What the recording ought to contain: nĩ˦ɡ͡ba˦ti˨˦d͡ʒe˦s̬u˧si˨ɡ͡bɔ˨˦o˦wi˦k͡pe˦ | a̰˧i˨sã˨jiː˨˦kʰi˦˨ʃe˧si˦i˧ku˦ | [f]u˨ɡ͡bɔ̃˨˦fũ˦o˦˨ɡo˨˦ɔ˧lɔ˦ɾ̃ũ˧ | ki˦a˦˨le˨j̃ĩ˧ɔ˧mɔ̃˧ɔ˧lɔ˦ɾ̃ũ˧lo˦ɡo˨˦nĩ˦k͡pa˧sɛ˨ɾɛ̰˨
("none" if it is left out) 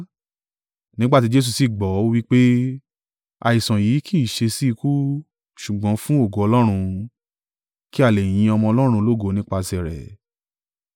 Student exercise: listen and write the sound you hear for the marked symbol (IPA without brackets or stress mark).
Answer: ʃ